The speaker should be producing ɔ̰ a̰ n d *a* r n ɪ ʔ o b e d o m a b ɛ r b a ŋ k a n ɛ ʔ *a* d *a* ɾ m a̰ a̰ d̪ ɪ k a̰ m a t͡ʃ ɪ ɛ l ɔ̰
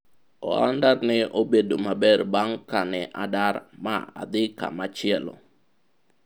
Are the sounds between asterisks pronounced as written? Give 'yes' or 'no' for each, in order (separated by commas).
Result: yes, yes, yes